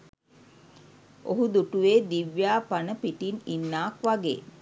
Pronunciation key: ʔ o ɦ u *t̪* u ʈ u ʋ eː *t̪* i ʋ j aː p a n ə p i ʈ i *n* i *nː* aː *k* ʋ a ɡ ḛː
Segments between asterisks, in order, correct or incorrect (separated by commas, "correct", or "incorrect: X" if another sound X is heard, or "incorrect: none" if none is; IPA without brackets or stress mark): incorrect: d̪, incorrect: d̪, correct, correct, correct